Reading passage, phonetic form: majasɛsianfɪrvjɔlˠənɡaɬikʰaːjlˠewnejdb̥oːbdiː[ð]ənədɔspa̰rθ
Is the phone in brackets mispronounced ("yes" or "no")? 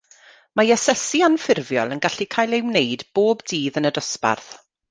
no